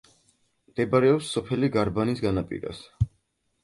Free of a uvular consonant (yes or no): yes